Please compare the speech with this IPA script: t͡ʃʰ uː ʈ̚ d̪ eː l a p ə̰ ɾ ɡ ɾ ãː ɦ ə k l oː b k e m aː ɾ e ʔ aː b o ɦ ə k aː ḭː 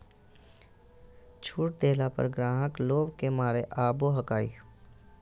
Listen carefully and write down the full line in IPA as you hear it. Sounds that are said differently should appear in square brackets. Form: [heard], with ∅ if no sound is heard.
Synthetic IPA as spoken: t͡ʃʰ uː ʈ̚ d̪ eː l a p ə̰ ɾ ɡ ɾ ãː ɦ ə k l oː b k e m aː ɾ e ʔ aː b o ɦ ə k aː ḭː